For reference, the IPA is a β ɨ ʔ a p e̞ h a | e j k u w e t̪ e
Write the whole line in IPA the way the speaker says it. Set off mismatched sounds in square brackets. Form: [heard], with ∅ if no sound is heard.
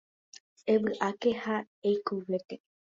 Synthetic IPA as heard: [e] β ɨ ʔ a [k] e̞ h a | e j k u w e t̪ e